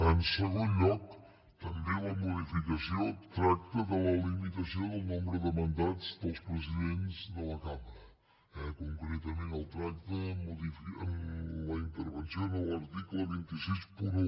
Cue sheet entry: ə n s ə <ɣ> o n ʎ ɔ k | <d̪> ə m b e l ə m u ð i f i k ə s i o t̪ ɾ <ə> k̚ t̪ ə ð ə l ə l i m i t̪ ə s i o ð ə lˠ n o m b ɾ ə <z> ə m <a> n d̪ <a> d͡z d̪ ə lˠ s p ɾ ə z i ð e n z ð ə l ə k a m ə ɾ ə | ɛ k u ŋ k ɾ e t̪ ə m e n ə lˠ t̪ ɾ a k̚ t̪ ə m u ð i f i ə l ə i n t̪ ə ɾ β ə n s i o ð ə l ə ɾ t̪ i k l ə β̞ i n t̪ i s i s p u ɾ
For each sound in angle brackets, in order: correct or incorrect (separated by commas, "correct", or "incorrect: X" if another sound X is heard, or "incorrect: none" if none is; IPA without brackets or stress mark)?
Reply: correct, incorrect: t̪, incorrect: a, incorrect: ð, incorrect: ə, correct